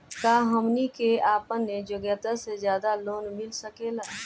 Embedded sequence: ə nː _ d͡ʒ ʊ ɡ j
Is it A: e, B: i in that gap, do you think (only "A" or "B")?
A